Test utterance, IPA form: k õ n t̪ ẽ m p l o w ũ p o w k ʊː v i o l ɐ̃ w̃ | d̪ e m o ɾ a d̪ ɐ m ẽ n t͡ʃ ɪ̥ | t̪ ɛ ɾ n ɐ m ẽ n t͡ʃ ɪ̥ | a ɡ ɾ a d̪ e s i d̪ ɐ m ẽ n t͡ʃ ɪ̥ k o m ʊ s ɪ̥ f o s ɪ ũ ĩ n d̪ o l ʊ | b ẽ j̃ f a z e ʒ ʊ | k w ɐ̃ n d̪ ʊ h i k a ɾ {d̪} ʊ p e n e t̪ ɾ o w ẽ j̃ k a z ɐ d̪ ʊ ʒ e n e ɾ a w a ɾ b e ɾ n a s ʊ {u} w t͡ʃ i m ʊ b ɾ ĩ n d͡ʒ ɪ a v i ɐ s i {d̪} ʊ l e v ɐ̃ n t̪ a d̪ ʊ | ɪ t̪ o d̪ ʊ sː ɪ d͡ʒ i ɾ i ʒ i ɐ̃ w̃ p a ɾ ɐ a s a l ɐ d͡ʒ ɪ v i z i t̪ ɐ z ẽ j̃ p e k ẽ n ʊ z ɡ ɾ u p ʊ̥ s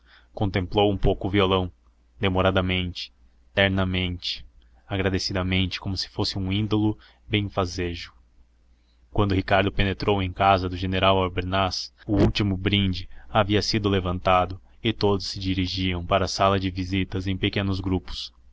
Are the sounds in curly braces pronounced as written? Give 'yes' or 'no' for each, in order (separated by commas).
yes, yes, yes